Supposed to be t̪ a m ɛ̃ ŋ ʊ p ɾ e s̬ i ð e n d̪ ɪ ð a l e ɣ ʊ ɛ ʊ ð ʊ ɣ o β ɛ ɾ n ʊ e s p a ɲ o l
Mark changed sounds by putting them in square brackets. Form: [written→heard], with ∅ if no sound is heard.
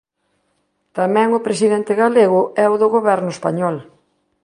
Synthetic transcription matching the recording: t̪ a m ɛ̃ ŋ ʊ p ɾ e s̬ i ð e n [d̪→t̪] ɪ [ð→ɣ] a l e ɣ ʊ ɛ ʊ ð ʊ ɣ o β ɛ ɾ n ʊ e s p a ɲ [o→ɔ] l

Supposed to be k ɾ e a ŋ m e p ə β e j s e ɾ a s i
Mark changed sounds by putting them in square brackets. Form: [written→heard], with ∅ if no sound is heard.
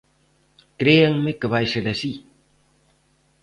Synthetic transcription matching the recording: k ɾ e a ŋ m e [p→k] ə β [e→a] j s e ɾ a s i

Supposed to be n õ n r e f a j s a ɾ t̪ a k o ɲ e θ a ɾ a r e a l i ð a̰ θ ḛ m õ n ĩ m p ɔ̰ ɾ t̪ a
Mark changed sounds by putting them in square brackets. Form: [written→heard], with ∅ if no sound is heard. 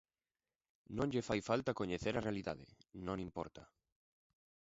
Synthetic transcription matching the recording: n õ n [r→ʎ] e f a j [s→f] a [ɾ→l] t̪ a k o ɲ e θ [a→e] ɾ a r e a l i ð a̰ [θ→ð] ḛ [m→n] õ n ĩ m p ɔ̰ ɾ t̪ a

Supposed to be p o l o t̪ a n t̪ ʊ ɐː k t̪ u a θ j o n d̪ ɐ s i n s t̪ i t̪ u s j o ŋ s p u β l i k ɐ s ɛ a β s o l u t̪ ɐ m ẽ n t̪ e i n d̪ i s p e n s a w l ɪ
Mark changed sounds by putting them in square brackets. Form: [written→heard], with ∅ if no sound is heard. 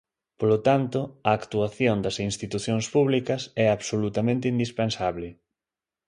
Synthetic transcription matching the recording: p o l o t̪ a n t̪ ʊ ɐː k t̪ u a θ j o n d̪ ɐ s i n s t̪ i t̪ u [s→θ] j o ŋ s p u β l i k ɐ s ɛ a β s o l u t̪ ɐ m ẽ n t̪ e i n d̪ i s p e n s a [w→β] l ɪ

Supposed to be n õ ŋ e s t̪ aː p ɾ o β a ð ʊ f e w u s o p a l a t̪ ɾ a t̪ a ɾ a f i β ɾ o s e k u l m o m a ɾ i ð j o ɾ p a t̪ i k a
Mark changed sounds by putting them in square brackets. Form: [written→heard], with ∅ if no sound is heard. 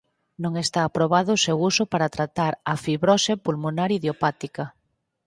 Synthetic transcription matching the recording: n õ ŋ e s t̪ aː p ɾ o β a ð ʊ [f→s] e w u s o p a [l→ɾ] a t̪ ɾ a t̪ a ɾ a f i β ɾ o s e [k→p] u l m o [m→n] a ɾ i ð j o [ɾ→∅] p a t̪ i k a

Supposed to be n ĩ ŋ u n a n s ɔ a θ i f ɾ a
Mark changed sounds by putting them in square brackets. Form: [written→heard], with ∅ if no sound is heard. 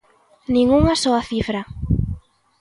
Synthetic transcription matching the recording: n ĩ ŋ u [n→ŋ] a [n→∅] s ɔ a θ i f ɾ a

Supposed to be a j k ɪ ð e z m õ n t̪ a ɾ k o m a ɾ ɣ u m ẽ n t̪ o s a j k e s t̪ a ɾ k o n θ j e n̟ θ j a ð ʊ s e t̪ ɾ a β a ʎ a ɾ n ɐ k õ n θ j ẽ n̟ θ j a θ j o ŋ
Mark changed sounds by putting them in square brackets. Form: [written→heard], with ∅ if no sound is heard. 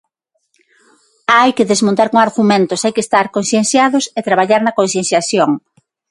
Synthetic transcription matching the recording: a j k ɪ ð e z m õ n t̪ a ɾ k o [m→ŋ] a ɾ ɣ u m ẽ n t̪ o s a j k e s t̪ a ɾ k o n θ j e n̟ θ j a ð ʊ s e t̪ ɾ a β a ʎ a ɾ n ɐ k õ n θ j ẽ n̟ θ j a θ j o ŋ

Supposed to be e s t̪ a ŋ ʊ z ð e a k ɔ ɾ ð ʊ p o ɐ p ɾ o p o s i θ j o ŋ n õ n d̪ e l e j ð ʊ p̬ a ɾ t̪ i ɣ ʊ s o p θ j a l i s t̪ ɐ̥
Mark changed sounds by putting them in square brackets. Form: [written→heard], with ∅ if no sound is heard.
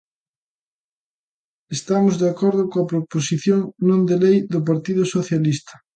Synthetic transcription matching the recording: e s t̪ a [ŋ→m] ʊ z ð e a k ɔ ɾ ð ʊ [p→k] o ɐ p ɾ o p o s i θ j o ŋ n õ n d̪ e l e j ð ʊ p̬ a ɾ t̪ i [ɣ→ð] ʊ s o [p→∅] θ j a l i s t̪ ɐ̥

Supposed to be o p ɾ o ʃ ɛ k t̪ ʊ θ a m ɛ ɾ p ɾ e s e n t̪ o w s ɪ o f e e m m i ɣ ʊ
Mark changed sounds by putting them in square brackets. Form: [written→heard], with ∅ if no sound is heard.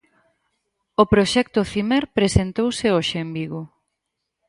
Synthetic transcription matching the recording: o p ɾ o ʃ ɛ k t̪ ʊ θ [a→i] m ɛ ɾ p ɾ e s e n t̪ o w s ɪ o [f→ʃ] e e m [m→b] i ɣ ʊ

